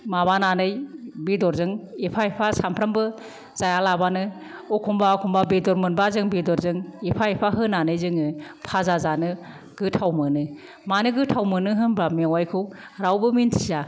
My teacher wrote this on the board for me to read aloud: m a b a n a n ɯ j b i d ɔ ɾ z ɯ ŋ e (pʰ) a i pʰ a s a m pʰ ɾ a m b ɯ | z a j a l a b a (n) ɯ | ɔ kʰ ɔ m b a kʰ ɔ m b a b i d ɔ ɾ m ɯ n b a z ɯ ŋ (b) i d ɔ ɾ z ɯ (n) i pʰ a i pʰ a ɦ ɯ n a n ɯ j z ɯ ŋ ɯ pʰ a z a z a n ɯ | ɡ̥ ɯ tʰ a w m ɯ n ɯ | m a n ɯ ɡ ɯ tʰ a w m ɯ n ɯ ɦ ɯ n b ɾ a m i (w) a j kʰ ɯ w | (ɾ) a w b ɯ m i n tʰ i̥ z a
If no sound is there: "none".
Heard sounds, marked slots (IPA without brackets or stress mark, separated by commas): pʰ, n, b, ŋ, w, ɾ